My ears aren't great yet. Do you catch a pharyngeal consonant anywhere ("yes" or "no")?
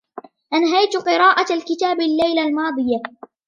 no